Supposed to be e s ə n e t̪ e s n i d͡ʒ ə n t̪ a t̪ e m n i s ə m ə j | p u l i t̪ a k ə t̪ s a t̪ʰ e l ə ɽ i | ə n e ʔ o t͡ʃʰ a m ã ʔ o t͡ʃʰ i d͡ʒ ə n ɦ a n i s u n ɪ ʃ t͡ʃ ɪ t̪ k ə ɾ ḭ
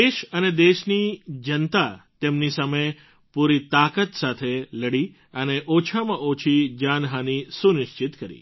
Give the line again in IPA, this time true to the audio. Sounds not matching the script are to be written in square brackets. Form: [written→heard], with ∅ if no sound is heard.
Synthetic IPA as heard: e [s→ʃ] ə n e [t̪→d̪] e [s→ʃ] n i d͡ʒ ə n t̪ a t̪ e m n i s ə m ə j | p u [l→ɾ] i t̪ a k ə t̪ s a t̪ʰ e l ə ɽ i | ə n e ʔ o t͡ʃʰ a m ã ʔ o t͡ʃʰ i d͡ʒ [ə→a] n ɦ a n i s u n ɪ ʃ t͡ʃ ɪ t̪ k ə ɾ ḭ